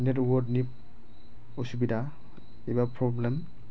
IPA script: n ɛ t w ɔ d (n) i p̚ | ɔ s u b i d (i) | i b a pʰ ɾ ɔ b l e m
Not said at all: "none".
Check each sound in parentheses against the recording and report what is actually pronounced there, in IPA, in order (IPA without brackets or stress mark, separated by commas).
n, a